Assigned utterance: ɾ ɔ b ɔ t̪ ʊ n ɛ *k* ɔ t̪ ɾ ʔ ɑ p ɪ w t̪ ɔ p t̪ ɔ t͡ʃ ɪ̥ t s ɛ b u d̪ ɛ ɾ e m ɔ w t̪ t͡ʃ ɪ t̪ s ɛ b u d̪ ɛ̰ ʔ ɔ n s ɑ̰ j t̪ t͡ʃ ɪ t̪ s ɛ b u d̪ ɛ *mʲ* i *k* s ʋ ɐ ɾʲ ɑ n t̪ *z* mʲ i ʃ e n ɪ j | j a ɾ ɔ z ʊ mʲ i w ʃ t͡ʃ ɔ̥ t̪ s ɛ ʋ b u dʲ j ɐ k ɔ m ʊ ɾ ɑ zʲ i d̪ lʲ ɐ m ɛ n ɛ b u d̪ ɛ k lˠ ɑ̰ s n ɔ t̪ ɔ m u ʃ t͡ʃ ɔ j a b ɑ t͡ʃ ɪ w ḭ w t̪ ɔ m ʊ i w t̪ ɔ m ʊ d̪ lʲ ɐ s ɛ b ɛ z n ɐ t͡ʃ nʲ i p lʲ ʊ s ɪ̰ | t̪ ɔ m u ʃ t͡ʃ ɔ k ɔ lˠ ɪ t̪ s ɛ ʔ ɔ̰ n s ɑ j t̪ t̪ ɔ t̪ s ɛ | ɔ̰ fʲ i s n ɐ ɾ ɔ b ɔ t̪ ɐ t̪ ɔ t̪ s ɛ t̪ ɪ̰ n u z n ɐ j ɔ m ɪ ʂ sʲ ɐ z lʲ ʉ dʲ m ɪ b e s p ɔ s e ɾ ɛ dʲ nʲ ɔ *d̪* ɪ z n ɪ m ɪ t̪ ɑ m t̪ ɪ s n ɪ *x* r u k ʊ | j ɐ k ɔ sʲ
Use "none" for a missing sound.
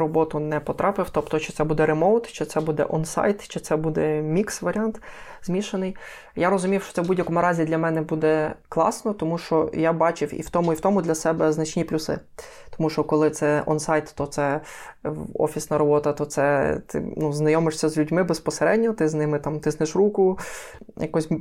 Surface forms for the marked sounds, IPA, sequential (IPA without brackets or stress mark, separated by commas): p, mʲ, k, z, t̪, ʃ